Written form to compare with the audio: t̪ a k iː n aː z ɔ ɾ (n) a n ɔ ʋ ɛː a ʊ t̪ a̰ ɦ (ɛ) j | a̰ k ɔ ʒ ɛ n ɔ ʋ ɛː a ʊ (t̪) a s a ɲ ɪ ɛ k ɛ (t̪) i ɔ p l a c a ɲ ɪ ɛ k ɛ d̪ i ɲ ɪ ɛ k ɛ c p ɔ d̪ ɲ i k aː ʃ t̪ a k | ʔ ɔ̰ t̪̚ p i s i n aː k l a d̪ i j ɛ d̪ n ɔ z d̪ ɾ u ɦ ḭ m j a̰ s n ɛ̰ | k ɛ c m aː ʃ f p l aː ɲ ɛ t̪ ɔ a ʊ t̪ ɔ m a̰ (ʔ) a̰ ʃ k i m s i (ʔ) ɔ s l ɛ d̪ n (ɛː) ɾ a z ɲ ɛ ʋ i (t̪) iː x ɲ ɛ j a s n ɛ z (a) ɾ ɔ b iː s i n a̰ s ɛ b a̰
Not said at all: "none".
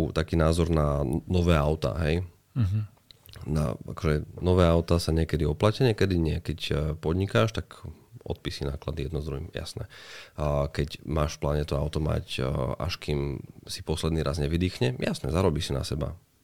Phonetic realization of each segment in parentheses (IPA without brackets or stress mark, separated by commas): n, ɛ, t̪, d̪, c, p, iː, d̪, a